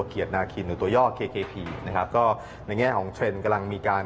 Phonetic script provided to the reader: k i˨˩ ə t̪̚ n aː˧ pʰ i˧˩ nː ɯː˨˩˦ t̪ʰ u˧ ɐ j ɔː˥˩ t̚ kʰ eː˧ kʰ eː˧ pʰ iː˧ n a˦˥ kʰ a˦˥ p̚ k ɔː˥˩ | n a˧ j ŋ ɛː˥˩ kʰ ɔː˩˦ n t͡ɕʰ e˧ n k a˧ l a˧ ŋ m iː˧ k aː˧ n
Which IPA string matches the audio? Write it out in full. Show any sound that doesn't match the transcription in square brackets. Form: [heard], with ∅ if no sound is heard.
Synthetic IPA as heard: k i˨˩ ə t̪̚ n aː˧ [kʰ] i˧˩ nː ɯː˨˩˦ [t̪] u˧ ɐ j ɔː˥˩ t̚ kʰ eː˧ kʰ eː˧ pʰ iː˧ n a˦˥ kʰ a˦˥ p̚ k ɔː˥˩ | n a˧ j ŋ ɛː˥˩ kʰ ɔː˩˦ [ŋ] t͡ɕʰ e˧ n k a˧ l a˧ ŋ m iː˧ k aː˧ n

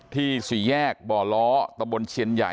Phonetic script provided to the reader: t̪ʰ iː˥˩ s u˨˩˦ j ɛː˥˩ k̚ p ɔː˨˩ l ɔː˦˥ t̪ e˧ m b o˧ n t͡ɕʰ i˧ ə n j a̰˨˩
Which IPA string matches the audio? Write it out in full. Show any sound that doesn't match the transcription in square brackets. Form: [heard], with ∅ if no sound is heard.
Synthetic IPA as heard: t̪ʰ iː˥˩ s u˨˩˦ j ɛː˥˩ k̚ [b] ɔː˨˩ l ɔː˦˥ t̪ [a˧] m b o˧ n t͡ɕʰ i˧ ə n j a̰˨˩

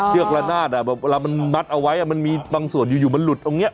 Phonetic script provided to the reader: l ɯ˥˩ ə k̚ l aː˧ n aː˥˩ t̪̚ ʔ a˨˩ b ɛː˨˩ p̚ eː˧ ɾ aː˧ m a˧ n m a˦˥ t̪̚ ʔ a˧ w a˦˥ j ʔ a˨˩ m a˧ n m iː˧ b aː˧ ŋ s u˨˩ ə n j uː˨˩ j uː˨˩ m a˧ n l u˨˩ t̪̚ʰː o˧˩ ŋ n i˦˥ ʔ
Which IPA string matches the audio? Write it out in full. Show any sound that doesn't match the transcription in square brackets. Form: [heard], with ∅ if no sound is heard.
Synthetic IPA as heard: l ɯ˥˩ ə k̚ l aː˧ n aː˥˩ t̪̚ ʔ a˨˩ b ɛː˨˩ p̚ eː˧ [l] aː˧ m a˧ n m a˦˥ t̪̚ ʔ a˧ w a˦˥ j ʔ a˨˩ m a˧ n m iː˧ b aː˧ ŋ s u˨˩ ə n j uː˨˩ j uː˨˩ m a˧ n l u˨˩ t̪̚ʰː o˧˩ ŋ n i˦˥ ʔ

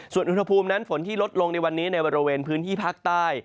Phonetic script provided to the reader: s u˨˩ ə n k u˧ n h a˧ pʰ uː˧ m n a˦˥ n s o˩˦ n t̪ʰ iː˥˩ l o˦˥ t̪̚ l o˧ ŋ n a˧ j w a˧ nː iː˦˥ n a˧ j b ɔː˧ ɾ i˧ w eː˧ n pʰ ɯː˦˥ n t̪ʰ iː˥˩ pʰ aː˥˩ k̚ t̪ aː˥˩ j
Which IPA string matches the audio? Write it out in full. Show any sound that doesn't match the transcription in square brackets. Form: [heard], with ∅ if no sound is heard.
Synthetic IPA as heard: s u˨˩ ə n [ʔ] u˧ n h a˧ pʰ uː˧ m n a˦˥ n [f] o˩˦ n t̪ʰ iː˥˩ l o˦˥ t̪̚ l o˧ ŋ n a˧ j w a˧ nː iː˦˥ n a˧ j b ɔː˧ ɾ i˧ w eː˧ n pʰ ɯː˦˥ n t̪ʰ iː˥˩ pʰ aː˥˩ k̚ t̪ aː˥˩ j

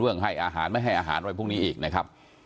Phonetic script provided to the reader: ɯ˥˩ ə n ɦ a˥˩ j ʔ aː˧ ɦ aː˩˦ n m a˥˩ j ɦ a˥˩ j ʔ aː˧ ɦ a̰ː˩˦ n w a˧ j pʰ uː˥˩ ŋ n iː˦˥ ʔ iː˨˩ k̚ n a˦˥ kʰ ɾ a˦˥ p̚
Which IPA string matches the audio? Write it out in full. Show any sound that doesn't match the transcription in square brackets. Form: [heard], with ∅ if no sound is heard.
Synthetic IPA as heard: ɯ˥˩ ə [ŋ] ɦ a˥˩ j ʔ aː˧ ɦ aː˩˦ n m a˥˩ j ɦ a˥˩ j ʔ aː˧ ɦ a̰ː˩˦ n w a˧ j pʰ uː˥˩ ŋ n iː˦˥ ʔ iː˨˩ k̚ n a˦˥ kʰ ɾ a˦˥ p̚

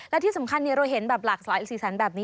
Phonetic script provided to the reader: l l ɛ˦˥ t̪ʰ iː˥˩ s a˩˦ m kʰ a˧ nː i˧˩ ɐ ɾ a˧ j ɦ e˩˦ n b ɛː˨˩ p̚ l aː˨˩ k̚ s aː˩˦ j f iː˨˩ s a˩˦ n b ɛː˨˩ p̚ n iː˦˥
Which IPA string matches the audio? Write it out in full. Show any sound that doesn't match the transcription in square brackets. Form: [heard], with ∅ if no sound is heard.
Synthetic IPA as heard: l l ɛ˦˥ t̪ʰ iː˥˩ s a˩˦ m kʰ a˧ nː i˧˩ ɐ ɾ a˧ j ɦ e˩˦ n b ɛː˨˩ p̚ l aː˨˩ k̚ s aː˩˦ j [s] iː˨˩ s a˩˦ n b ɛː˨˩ p̚ n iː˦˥

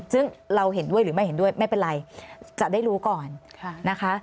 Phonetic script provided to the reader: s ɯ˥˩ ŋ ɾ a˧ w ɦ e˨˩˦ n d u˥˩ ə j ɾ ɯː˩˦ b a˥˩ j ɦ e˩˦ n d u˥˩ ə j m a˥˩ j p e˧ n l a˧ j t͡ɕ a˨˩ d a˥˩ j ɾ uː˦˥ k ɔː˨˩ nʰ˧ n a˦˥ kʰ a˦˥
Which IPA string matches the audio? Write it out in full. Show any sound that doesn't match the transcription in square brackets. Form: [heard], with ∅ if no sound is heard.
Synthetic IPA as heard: s ɯ˥˩ ŋ ɾ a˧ w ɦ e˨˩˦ n d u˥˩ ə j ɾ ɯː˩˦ [m] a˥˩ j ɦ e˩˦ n d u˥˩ ə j m a˥˩ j p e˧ n [ɾ] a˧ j t͡ɕ a˨˩ d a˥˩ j ɾ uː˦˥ k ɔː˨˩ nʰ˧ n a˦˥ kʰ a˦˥

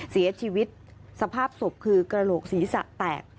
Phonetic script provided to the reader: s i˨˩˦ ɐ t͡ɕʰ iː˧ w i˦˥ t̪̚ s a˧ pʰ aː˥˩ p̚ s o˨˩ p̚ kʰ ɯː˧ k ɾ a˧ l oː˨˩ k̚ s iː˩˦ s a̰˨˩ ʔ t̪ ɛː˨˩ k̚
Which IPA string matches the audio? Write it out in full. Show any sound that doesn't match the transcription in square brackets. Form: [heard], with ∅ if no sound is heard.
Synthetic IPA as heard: s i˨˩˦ ɐ t͡ɕʰ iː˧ w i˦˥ t̪̚ s a˧ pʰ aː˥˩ p̚ s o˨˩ p̚ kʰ ɯː˧ k ɾ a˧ l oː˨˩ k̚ s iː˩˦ s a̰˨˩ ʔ t̪ ɛː˨˩ k̚

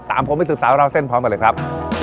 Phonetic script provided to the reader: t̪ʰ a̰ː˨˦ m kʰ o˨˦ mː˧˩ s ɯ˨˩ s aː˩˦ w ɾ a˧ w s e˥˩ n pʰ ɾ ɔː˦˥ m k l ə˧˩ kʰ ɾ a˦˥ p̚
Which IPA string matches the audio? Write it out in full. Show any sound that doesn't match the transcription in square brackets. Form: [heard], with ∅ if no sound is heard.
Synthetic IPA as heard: [t̪] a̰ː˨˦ m [pʰ] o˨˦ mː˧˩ s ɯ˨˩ s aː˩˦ w ɾ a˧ w s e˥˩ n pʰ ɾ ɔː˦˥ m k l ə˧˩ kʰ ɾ a˦˥ p̚

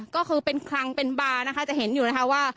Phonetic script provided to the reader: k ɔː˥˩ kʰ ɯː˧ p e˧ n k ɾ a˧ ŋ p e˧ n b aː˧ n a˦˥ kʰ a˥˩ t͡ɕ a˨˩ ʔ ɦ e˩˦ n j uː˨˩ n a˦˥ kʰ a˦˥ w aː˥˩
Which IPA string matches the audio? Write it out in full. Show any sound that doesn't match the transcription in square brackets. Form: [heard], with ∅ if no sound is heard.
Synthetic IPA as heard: k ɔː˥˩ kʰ ɯː˧ p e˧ n [kʰ] ɾ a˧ ŋ p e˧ n b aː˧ n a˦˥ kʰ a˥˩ t͡ɕ a˨˩ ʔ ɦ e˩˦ n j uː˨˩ n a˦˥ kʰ a˦˥ w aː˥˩

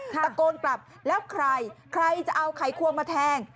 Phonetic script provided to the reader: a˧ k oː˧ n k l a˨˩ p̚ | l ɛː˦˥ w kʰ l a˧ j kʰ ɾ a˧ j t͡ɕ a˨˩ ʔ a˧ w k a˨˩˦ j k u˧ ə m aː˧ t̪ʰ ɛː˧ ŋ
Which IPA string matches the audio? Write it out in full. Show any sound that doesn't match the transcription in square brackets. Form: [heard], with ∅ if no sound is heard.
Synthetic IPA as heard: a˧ k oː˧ n k l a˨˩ p̚ | l ɛː˦˥ w kʰ [ɾ] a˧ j kʰ ɾ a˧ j t͡ɕ a˨˩ ʔ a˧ w [kʰ] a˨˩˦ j [kʰ] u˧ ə m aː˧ t̪ʰ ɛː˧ ŋ

